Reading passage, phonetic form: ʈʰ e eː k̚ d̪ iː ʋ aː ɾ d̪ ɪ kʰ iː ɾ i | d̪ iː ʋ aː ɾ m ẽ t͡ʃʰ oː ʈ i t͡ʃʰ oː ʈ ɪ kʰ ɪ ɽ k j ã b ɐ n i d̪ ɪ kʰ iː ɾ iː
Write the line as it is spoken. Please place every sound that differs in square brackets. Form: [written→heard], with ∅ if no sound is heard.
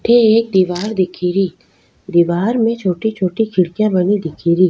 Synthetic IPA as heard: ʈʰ e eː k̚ d̪ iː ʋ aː ɾ d̪ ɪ kʰ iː ɾ i | d̪ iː ʋ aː ɾ m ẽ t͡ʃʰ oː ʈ i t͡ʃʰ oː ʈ [ɪ→i] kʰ ɪ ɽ k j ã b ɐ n i d̪ ɪ kʰ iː ɾ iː